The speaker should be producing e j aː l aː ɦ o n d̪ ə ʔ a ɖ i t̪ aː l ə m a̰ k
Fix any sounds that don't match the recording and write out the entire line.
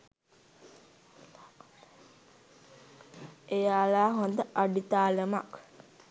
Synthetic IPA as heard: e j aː l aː ɦ o n d̪ ə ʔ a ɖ i t̪ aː l ə m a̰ k